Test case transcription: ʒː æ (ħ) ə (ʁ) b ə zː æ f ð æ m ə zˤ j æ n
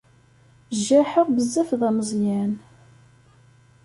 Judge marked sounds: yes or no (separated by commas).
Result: yes, yes